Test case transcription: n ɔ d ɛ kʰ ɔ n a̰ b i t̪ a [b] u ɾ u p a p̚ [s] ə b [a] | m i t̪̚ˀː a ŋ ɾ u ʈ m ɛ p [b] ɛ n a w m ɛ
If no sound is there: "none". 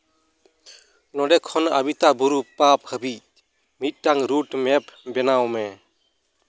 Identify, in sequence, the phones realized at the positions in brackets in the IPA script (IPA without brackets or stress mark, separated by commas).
b, h, i, b